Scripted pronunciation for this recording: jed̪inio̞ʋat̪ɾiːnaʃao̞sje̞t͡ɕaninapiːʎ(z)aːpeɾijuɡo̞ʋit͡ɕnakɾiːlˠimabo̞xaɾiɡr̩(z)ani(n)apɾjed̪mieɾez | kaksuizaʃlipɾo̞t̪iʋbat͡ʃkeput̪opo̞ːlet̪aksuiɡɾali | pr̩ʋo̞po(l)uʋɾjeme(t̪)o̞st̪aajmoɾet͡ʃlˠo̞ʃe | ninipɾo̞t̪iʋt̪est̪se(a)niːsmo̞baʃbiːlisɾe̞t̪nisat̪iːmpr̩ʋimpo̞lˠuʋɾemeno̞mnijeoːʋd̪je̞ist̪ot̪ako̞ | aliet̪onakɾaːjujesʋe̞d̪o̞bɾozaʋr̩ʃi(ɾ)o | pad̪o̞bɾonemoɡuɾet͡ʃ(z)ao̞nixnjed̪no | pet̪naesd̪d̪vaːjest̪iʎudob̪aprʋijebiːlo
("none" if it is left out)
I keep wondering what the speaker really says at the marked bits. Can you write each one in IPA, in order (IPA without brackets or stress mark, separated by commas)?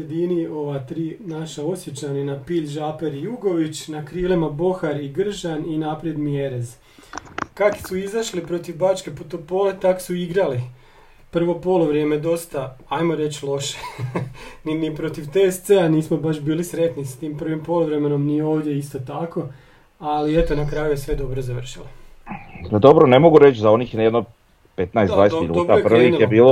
ʒ, ʒ, n, l, d̪, a, l, z